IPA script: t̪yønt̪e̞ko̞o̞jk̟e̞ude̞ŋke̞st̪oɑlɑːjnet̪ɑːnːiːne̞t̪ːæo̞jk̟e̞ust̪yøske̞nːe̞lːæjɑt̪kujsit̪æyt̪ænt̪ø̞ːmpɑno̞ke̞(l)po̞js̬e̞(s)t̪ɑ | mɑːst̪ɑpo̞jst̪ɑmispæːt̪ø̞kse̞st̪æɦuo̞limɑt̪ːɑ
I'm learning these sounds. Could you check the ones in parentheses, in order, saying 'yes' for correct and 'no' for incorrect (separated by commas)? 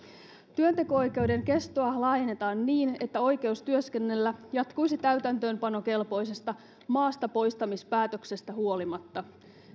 yes, yes